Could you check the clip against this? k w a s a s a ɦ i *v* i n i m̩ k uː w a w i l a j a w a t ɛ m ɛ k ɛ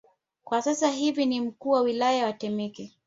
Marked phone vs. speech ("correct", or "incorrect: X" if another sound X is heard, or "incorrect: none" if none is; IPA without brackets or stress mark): correct